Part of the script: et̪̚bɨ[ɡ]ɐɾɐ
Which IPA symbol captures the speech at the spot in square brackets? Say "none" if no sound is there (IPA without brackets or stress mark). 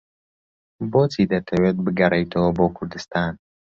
ɡ